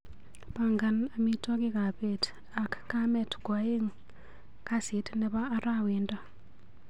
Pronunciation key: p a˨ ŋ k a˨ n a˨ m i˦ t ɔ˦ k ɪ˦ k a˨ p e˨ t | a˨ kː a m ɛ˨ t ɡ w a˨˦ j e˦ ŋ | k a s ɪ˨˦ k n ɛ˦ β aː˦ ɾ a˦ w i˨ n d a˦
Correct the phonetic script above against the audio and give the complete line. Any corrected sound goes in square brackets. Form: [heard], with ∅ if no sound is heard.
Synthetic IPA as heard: p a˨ ŋ [ɡ] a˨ n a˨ m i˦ t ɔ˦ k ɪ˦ k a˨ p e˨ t | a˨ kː a m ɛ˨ t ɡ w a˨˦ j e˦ ŋ | k a s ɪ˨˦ [t] n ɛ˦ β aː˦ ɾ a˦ w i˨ n d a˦